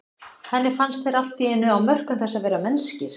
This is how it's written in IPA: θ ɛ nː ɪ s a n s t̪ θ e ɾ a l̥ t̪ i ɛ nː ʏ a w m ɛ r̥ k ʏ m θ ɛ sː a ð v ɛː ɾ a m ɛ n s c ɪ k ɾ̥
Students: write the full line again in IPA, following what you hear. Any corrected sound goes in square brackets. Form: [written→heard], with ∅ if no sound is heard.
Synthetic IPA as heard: [θ→h] ɛ nː ɪ [s→f] a n s t̪ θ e ɾ a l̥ t̪ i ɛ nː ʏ a w m [ɛ→œ] r̥ k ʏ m θ ɛ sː a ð v ɛː ɾ a m ɛ n s c ɪ [k→∅] ɾ̥